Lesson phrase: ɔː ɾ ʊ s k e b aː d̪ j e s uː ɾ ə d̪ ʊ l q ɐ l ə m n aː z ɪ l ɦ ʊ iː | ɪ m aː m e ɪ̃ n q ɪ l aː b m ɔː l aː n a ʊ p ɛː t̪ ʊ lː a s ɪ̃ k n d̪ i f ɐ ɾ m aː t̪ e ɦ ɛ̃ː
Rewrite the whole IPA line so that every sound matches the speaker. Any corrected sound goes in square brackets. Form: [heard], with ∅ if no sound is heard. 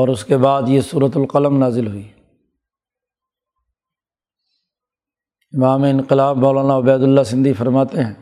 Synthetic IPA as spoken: ɔː ɾ ʊ s k e b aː d̪ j e s uː ɾ ə [t̪] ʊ l q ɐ l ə m n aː z ɪ l ɦ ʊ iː | ɪ m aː m e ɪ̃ n q ɪ l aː b m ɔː l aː n a ʊ [b] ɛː [d̪] ʊ lː a s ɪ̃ [∅] n d̪ i f ɐ ɾ m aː t̪ e ɦ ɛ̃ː